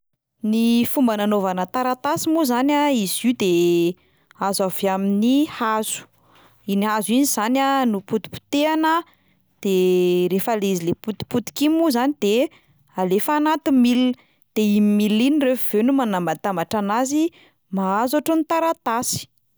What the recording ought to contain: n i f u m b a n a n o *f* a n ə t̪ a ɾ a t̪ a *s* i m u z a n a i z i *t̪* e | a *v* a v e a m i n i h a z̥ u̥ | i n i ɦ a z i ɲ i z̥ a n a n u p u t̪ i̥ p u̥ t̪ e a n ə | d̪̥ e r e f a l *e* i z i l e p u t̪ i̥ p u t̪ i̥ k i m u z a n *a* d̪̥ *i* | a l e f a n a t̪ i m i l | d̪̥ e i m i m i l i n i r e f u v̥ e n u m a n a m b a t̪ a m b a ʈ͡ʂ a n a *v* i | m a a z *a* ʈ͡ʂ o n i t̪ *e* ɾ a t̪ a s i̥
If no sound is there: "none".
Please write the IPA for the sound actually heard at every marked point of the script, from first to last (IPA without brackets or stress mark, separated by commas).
v, s, d̪, z, e, i, e, z, a, a